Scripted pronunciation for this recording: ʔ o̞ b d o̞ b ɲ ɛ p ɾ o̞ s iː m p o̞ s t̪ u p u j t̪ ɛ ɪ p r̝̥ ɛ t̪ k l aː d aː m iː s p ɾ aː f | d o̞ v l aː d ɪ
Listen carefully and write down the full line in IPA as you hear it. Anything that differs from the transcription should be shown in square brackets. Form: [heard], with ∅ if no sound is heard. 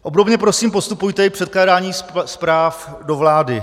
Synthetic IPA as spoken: ʔ o̞ b d o̞ b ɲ ɛ p ɾ o̞ s iː m p o̞ s t̪ u p u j t̪ ɛ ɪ p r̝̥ ɛ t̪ k l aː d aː [ɲ] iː s p ɾ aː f | d o̞ v l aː d ɪ